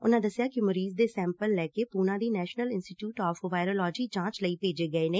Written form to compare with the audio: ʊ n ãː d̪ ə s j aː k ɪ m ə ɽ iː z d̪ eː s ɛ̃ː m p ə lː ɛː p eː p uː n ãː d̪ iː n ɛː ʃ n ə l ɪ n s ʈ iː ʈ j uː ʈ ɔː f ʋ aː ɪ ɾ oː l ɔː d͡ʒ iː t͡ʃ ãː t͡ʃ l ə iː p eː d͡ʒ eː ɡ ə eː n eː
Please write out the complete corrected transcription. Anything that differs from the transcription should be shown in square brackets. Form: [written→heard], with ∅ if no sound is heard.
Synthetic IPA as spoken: ʊ n ãː d̪ ə s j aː k ɪ m ə [ɽ→ɾ] iː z d̪ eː s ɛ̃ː m p ə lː ɛː [p→k] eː p uː n ãː d̪ iː n ɛː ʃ n ə l ɪ n s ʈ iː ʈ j uː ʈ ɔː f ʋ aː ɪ ɾ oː l ɔː d͡ʒ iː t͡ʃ ãː t͡ʃ l ə iː p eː d͡ʒ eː ɡ ə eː n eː